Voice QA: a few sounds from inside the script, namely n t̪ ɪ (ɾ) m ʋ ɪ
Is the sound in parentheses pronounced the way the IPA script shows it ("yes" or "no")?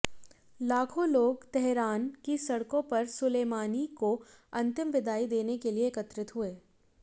no